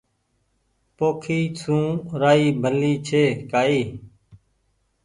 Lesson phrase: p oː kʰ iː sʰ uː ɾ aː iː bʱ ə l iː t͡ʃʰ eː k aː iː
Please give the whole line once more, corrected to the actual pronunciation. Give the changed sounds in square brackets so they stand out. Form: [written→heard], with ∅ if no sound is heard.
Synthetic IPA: p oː kʰ iː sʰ [uː→ũː] ɾ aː iː bʱ ə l iː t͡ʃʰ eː k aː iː